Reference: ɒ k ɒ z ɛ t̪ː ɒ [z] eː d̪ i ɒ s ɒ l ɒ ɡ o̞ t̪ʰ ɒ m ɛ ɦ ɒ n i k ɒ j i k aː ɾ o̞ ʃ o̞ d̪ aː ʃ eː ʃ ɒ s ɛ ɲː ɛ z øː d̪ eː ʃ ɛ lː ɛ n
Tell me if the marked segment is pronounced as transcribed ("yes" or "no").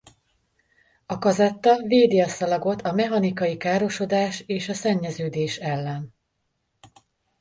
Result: no